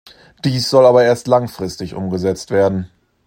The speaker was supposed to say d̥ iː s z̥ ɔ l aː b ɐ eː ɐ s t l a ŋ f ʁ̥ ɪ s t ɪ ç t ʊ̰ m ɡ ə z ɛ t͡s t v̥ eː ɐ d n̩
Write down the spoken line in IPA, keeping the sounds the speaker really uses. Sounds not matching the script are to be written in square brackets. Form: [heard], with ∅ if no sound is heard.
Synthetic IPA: d̥ iː s z̥ ɔ l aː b ɐ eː ɐ s t l a ŋ f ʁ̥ ɪ s t ɪ ç [ʔ] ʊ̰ m ɡ ə z ɛ t͡s t v̥ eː ɐ d n̩